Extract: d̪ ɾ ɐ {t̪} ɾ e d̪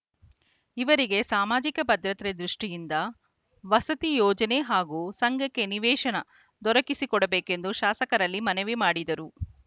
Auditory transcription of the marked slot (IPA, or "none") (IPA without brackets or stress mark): t̪